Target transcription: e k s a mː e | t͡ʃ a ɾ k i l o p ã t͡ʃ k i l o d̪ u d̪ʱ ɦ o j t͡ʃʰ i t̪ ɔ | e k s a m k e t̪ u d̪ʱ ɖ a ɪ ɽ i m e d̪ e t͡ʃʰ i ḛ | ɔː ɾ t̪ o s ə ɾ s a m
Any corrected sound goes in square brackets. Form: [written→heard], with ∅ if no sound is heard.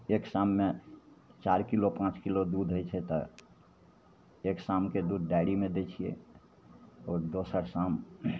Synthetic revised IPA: e k s a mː e | t͡ʃ a ɾ k i l o p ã t͡ʃ k i l o d̪ u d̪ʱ ɦ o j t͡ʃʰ [i→ɛ] t̪ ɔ | e k s a m k e [t̪→d̪] u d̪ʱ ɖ a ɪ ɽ i m e d̪ e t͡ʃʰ i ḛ | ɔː ɾ [t̪→d̪] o s ə ɾ s a m